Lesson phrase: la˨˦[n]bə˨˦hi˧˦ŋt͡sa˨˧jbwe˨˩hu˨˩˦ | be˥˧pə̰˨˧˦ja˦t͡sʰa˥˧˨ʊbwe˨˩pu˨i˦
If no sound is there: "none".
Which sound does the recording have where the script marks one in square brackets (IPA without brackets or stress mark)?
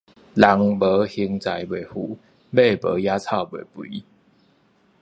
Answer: ŋ